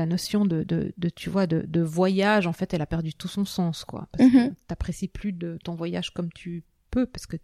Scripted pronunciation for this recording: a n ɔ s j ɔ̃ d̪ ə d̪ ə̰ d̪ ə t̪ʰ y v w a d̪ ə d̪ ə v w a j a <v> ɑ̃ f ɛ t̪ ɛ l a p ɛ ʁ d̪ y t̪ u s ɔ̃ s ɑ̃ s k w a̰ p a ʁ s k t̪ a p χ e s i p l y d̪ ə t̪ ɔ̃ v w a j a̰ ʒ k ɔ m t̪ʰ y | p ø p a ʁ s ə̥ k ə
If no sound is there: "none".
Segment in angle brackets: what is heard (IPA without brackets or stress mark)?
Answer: ʒ